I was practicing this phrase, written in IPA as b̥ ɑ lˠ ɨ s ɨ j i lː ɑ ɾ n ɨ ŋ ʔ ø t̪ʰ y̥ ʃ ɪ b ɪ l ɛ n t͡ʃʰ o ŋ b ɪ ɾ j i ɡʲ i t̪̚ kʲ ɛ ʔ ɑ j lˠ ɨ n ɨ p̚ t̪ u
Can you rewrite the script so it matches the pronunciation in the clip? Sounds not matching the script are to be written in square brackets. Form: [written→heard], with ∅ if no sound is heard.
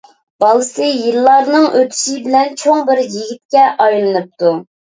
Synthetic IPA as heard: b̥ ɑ lˠ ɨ s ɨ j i lː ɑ ɾ n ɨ ŋ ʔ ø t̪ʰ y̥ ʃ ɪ b ɪ l ɛ n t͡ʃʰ o ŋ b ɪ ɾ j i ɡʲ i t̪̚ kʲ ɛ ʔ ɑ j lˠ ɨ n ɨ p̚ t̪ u

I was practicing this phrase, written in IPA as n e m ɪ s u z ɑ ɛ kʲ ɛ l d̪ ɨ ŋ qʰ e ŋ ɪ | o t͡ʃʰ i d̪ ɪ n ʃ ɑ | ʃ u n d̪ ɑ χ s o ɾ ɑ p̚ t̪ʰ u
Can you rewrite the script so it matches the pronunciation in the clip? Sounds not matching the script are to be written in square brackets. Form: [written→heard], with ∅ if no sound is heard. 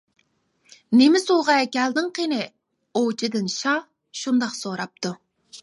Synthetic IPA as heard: n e m ɪ s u [z→ʁ] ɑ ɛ kʲ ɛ l d̪ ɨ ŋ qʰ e [ŋ→n] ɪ | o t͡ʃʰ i d̪ ɪ n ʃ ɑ | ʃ u n d̪ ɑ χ s o ɾ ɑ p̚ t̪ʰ u

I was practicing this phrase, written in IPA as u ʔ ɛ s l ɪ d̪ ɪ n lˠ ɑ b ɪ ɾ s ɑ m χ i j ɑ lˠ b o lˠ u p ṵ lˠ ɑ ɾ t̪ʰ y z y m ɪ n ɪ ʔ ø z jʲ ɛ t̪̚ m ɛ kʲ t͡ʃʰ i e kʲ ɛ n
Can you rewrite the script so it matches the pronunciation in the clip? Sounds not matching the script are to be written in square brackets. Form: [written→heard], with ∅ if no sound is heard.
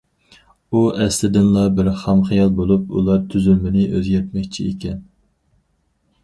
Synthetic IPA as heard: u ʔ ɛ s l ɪ d̪ ɪ n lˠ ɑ b ɪ ɾ [s→χ] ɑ m χ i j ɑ lˠ b o lˠ u p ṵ lˠ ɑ ɾ t̪ʰ y z y m ɪ n ɪ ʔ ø z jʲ ɛ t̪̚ m ɛ kʲ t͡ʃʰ i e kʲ ɛ n

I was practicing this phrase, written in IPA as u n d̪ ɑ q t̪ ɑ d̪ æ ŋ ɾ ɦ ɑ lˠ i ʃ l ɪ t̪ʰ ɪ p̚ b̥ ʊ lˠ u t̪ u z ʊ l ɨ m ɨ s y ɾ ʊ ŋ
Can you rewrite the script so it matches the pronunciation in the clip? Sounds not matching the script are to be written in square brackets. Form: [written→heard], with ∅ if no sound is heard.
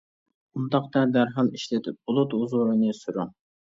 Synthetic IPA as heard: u n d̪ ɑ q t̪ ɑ d̪ æ [ŋ→∅] ɾ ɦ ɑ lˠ i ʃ l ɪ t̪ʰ ɪ p̚ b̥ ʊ lˠ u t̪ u z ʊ [l→ɾ] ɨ [m→n] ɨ s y ɾ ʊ ŋ

